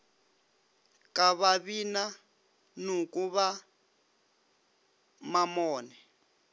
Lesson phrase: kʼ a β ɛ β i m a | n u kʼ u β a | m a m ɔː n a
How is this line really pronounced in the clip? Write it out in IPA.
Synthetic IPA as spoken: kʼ a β a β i n a | n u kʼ u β a | m a m ɔː n ɛ